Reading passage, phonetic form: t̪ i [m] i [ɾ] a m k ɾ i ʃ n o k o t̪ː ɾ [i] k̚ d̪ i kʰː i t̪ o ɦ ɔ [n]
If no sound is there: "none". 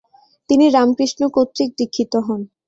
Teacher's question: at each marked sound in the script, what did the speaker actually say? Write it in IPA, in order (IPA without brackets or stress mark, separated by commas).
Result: n, ɾ, i, n